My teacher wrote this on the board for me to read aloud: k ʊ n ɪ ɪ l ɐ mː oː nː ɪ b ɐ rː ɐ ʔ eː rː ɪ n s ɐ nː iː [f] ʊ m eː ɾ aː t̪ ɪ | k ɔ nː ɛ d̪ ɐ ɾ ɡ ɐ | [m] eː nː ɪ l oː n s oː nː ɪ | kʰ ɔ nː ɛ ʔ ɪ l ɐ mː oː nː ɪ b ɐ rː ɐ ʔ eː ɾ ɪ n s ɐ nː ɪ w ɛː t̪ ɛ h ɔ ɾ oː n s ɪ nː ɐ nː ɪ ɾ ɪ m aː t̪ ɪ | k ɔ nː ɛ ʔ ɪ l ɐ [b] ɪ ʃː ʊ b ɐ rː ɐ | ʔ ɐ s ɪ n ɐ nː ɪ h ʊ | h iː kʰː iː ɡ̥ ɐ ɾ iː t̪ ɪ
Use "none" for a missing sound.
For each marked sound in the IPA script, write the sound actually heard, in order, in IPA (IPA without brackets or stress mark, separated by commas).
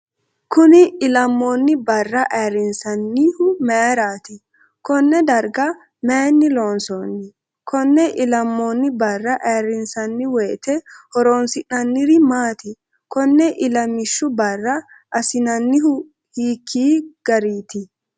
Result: h, m, m